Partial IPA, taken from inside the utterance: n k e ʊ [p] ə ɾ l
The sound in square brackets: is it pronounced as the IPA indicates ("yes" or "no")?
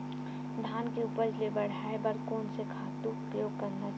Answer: yes